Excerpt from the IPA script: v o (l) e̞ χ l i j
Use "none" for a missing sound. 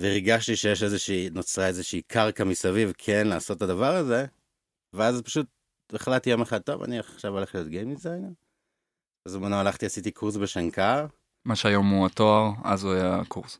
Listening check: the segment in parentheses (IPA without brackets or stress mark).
l